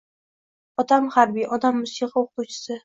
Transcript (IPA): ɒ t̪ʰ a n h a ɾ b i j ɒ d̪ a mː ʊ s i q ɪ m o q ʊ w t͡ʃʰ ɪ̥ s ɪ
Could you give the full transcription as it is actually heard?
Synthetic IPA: ɒ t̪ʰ a m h a ɾ b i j ɒ d̪ a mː ʊ s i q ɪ o q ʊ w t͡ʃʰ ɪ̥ s ɪ